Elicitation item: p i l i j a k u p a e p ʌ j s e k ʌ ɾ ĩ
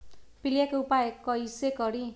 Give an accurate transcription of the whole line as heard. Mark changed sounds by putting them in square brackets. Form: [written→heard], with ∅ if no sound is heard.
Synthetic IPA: p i l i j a k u p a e [p→k] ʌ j s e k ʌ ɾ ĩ